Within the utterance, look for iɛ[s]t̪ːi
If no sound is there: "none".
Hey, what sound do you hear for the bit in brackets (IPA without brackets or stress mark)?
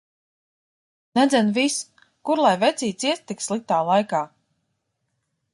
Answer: s